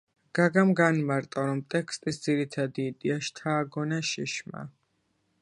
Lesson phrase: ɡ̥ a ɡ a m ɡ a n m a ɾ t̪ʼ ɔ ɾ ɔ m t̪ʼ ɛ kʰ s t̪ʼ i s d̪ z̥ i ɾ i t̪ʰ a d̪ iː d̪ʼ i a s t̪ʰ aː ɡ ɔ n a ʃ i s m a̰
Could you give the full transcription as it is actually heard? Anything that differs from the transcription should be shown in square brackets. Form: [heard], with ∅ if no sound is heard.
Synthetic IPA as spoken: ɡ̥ a ɡ a m ɡ a n m a ɾ t̪ʼ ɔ ɾ ɔ m t̪ʼ ɛ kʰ s t̪ʼ i s d̪ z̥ i ɾ i t̪ʰ a d̪ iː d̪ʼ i a [ʃ] t̪ʰ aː ɡ ɔ n a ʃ i [ʃ] m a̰